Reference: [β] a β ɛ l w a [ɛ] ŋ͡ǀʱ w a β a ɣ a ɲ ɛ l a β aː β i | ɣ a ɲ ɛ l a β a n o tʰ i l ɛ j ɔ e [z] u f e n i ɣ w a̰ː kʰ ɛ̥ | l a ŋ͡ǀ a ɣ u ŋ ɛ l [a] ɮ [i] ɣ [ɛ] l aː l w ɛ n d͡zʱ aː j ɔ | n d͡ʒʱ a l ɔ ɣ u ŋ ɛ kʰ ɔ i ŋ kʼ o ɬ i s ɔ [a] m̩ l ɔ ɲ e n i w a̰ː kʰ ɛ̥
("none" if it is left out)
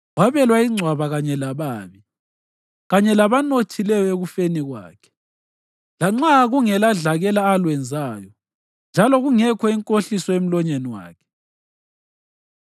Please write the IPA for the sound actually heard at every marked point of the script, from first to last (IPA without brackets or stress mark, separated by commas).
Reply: w, i, ɣ, a, a, ɛ, e